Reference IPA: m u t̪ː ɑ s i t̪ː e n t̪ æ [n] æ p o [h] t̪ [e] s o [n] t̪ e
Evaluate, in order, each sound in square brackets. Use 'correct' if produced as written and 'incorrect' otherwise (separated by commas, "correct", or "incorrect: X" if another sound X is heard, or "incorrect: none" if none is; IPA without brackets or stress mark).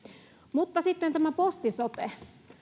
incorrect: m, incorrect: s, incorrect: i, incorrect: none